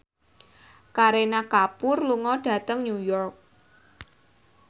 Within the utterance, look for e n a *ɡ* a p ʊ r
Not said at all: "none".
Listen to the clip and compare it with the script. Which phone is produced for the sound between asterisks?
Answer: k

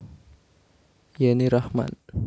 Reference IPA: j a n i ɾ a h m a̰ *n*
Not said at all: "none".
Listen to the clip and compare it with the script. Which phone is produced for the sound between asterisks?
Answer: n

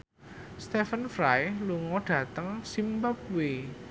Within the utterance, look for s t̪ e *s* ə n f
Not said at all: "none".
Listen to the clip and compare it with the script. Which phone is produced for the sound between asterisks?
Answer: f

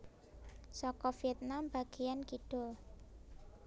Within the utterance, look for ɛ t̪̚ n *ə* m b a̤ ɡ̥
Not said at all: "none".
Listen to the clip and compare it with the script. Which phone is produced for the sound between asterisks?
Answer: a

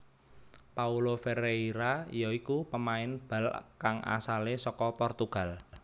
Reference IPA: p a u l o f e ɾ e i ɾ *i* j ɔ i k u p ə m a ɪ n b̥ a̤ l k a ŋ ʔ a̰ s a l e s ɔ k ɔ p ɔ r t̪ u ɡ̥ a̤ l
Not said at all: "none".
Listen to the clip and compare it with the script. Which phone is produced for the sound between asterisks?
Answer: a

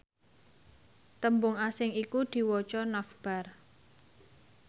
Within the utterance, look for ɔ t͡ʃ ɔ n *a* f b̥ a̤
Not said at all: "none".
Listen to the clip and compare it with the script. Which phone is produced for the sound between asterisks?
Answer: a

